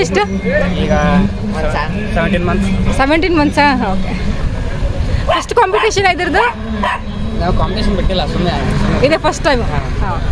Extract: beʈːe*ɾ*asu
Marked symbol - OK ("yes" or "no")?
no